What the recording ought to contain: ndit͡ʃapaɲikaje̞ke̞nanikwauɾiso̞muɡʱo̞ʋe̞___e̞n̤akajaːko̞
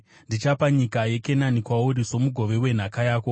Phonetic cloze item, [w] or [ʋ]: w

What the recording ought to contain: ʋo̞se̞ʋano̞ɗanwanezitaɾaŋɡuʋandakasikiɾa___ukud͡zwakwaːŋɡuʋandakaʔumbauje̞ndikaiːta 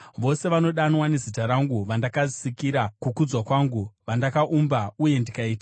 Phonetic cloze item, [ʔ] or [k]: k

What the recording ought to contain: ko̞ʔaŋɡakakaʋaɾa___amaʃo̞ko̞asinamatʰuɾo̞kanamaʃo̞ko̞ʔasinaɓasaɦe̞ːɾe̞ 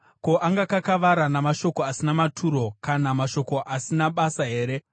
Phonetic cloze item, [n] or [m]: n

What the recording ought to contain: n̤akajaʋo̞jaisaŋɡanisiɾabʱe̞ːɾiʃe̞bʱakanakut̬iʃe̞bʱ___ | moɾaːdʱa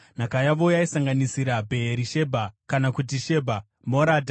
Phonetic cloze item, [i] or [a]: a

